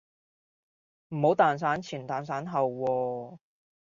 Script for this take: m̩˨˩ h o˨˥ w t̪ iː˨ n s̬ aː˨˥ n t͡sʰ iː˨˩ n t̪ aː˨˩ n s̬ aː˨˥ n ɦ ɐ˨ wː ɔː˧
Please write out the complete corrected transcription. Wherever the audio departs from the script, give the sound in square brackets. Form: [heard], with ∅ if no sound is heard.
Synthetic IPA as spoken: m̩˨˩ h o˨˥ w t̪ [aː˨] n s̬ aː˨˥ n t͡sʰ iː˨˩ n t̪ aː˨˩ n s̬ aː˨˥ n ɦ ɐ˨ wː ɔː˧